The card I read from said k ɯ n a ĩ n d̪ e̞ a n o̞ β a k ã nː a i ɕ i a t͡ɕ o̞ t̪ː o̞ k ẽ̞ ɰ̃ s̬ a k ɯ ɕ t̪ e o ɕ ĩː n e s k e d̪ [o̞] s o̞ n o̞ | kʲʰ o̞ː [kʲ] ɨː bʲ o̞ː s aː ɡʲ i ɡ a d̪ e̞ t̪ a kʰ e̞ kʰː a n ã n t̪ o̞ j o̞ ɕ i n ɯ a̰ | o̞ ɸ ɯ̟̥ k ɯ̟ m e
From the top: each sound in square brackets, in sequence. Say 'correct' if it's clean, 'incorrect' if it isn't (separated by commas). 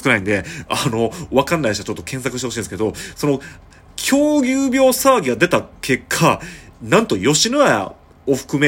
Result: correct, incorrect